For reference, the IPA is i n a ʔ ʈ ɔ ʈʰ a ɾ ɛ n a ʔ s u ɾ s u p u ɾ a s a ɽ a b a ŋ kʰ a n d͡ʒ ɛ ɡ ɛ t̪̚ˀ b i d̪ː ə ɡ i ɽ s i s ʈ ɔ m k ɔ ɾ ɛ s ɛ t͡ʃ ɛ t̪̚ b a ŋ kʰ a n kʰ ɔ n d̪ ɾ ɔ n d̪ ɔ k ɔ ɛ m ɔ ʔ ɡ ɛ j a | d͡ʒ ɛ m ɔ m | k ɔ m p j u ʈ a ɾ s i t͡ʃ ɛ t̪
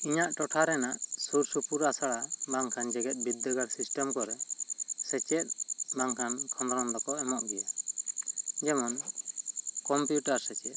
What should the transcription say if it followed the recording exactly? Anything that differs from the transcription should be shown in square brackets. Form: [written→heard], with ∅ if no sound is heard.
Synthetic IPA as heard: i [n→ɲ] a ʔ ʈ ɔ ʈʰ a ɾ ɛ n a ʔ s u ɾ s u p u ɾ a s a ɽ a b a ŋ kʰ a n d͡ʒ ɛ ɡ ɛ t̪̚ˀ b i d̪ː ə ɡ [i→a] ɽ s i s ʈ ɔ m k ɔ ɾ ɛ s ɛ t͡ʃ ɛ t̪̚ b a ŋ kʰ a n kʰ ɔ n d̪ ɾ ɔ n d̪ ɔ k ɔ ɛ m ɔ ʔ ɡ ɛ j a | d͡ʒ ɛ m ɔ [m→n] | k ɔ m p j u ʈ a ɾ s [i→ɛ] t͡ʃ ɛ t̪

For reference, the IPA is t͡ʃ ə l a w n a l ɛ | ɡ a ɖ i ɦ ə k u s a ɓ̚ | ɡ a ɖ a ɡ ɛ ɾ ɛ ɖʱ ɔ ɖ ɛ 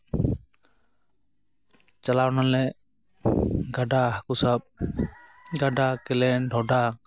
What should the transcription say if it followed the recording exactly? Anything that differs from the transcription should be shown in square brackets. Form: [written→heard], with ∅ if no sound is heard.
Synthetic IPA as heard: t͡ʃ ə l a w n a l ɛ | ɡ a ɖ [i→a] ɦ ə k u s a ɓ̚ | ɡ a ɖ a [ɡ→k] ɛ [ɾ→l] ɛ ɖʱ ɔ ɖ [ɛ→a]

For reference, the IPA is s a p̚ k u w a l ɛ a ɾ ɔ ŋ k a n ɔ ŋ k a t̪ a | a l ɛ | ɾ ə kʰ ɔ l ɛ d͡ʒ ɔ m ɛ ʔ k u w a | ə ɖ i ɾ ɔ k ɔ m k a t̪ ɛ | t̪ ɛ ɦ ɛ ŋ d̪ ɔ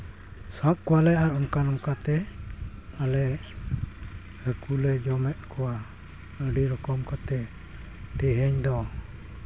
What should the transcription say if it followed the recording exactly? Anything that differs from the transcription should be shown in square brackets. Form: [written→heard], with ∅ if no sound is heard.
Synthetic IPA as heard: s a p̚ k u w a l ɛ a ɾ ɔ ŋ k a n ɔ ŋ k a t̪ [a→ɛ] | a l ɛ | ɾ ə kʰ [ɔ→u] l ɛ d͡ʒ ɔ m ɛ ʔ k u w a | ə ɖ i ɾ ɔ k ɔ m k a t̪ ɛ | t̪ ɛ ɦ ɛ [ŋ→ɲ] d̪ ɔ

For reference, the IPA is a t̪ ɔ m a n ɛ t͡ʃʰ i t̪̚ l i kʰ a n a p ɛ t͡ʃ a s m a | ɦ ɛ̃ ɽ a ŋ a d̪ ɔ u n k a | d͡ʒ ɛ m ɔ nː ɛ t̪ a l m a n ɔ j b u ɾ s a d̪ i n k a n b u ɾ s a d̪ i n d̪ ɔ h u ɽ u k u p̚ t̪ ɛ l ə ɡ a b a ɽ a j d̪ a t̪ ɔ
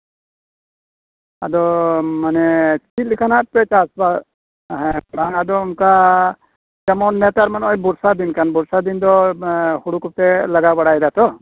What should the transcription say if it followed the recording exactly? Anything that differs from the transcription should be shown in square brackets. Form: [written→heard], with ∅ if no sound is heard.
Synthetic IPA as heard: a [t̪→d̪] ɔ m a n ɛ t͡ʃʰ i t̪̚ l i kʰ a n a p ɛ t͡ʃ a s [m→b] a | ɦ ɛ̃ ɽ a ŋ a d̪ ɔ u n k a | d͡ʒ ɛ m ɔ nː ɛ t̪ a [l→ɾ] m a n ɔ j b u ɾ s a d̪ i n k a n b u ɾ s a d̪ i n d̪ ɔ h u ɽ u k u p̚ t̪ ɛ l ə ɡ a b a ɽ a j d̪ a t̪ ɔ

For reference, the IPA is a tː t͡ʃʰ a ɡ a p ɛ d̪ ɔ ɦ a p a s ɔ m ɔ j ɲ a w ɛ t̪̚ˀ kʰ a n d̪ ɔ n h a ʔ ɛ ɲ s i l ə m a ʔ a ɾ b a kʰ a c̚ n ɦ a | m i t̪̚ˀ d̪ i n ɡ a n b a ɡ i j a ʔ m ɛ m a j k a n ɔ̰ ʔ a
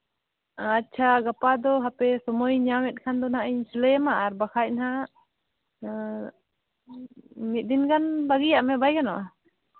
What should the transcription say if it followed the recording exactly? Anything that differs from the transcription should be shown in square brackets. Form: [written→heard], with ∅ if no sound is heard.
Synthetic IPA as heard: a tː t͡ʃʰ a ɡ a p [ɛ→a] d̪ ɔ ɦ a p [a→ɛ] s ɔ m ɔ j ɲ a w ɛ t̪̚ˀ kʰ a n d̪ ɔ n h a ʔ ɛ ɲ s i l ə m a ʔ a ɾ b a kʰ a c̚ n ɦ a | m i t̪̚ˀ d̪ i n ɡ a n b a ɡ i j a ʔ m ɛ [m→b] a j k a n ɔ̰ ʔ a

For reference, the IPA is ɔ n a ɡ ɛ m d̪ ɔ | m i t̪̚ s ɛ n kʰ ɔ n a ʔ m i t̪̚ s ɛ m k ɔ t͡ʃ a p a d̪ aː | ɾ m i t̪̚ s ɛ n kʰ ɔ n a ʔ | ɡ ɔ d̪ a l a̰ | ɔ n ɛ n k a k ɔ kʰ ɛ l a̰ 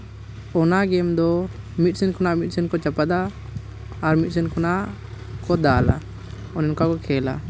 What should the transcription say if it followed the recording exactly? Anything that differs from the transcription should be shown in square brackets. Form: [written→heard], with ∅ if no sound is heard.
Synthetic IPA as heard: ɔ n a ɡ ɛ m d̪ ɔ | m i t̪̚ s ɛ n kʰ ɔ n a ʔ m i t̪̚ s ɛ [m→n] k ɔ t͡ʃ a p a d̪ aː | ɾ m i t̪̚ s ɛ n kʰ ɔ n a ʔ | [ɡ→k] ɔ d̪ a l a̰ | ɔ n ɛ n k a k ɔ kʰ ɛ l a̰

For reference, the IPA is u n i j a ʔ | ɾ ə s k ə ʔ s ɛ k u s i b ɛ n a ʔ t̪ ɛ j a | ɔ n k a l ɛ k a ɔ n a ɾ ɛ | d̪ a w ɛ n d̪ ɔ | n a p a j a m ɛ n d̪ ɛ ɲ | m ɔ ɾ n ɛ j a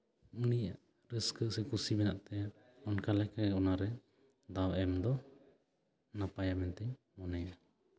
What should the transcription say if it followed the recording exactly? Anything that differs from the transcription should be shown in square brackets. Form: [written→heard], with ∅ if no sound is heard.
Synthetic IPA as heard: u n i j a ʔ | ɾ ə s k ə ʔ s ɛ k u s i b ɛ n a ʔ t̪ ɛ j a | ɔ n k a l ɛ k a ɔ n a ɾ ɛ | d̪ a w ɛ [n→m] d̪ ɔ | n a p a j a m ɛ n [d̪→t̪] ɛ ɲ | m ɔ [ɾ→∅] n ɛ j a

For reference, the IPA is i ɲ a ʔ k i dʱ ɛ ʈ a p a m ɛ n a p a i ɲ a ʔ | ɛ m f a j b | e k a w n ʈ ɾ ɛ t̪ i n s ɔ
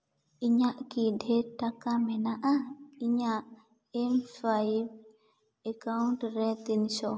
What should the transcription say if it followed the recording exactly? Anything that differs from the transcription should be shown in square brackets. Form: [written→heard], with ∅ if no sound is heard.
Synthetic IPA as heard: i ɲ a ʔ k i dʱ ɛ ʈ a [p→k] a m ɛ n a [p→ʔ] a i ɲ a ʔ | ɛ m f a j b | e k a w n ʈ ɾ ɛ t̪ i n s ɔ

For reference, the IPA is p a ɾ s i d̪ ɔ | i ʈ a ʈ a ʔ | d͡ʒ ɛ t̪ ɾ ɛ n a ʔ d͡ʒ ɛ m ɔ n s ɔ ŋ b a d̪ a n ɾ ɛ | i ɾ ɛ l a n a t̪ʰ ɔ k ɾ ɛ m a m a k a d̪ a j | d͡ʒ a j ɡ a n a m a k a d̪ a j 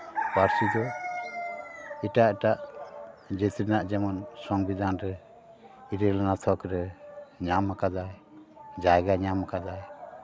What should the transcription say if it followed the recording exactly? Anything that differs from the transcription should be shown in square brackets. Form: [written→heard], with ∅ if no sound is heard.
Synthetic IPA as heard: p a ɾ s i d̪ ɔ | i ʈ a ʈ a ʔ | d͡ʒ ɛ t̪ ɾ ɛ n a ʔ d͡ʒ ɛ m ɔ n s ɔ ŋ b [a→i] d̪ a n ɾ ɛ | i ɾ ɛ l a n a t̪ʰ ɔ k ɾ ɛ [m→ɲ] a m a k a d̪ a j | d͡ʒ a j ɡ a [n→ɲ] a m a k a d̪ a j

